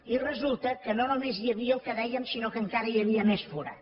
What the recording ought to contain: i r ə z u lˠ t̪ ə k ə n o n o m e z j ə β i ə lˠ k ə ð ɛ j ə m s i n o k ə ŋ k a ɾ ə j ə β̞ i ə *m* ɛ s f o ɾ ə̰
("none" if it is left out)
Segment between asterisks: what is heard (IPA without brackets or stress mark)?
m